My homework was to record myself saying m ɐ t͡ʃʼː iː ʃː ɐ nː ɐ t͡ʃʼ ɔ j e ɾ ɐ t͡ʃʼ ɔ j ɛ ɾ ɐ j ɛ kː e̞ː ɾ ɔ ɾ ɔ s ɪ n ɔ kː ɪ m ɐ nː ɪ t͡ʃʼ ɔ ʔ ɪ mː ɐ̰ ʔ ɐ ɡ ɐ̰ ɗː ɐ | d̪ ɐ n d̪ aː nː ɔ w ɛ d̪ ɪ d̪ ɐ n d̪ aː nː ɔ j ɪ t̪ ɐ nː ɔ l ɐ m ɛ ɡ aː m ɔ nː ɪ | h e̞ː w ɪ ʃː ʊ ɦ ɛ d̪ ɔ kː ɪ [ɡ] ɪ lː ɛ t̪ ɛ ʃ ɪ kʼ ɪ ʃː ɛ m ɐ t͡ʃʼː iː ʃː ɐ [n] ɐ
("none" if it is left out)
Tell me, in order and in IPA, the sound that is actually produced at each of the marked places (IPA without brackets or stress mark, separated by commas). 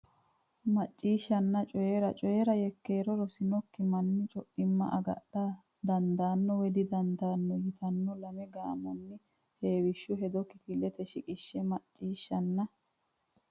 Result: k, nː